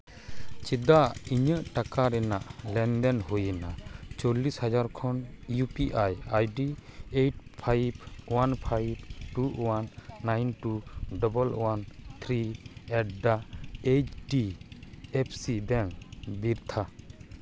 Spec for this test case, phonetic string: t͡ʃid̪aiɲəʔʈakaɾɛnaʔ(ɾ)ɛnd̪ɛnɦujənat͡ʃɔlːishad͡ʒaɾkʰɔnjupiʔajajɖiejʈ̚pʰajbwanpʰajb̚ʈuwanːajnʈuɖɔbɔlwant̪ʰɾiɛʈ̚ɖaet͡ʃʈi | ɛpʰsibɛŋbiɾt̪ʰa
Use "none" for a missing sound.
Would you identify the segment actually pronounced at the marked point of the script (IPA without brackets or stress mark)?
l